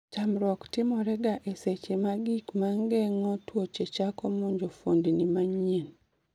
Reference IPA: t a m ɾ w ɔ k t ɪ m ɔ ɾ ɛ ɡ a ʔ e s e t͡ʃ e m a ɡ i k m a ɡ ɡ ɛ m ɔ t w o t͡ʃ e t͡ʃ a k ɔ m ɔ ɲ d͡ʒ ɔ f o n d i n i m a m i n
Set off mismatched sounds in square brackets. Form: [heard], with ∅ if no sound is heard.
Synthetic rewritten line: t a m ɾ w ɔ k t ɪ m ɔ ɾ ɛ ɡ a ʔ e s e t͡ʃ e m a ɡ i k m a [ŋ] ɡ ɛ [ŋ] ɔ t w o t͡ʃ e t͡ʃ a k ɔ m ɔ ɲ d͡ʒ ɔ f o n d i n i m a [ɲ] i n

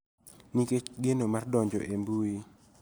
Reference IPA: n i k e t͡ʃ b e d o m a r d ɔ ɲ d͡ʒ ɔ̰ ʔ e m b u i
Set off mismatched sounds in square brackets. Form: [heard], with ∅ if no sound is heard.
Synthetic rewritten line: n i k e t͡ʃ [ɡ] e [n] o m a r d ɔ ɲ d͡ʒ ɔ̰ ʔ e m b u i

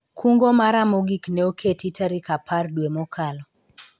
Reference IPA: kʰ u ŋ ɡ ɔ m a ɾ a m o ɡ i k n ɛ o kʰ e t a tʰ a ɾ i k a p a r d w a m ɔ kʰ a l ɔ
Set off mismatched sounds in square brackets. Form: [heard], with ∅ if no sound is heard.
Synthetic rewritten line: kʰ u ŋ ɡ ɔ m a ɾ a m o ɡ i k n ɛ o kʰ e t [i] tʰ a ɾ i k a p a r d w [e] m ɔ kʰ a l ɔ

